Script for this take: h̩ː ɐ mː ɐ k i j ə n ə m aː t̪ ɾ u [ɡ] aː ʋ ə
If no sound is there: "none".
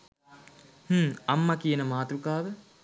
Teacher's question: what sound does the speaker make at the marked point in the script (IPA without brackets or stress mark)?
k